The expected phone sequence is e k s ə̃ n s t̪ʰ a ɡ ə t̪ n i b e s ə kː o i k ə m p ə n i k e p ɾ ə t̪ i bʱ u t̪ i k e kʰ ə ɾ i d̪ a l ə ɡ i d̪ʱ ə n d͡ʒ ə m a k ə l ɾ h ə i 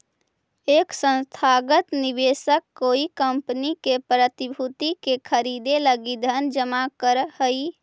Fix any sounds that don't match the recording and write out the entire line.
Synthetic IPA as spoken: e k s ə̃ n s t̪ʰ a ɡ ə t̪ n i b e s ə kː o i k ə m p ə n i k e p ɾ ə t̪ i bʱ u t̪ i k e kʰ ə ɾ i d̪ e l ə ɡ i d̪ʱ ə n d͡ʒ ə m a k ə ɾ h ə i